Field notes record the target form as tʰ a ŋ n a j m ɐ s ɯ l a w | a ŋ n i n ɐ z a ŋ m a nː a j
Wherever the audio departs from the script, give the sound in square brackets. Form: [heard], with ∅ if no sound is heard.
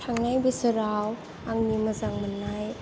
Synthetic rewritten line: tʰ a ŋ n a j [b] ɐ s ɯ [ɾ] a w | a ŋ n i [m] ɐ z a ŋ m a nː a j